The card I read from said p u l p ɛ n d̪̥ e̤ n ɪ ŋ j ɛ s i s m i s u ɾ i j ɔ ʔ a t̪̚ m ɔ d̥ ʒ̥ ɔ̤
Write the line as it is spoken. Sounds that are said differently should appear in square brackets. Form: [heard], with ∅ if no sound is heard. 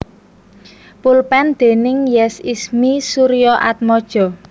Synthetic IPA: p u l p ɛ n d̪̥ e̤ n ɪ ŋ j ɛ s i s m i s u ɾ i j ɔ ʔ a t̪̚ m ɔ d̥ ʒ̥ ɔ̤